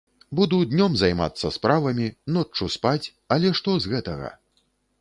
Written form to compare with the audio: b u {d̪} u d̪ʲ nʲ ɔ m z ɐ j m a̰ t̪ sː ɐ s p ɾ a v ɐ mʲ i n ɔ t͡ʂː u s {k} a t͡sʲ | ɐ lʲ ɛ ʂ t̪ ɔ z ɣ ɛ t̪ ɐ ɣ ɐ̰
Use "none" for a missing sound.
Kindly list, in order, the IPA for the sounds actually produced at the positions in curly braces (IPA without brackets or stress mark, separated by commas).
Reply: d̪, p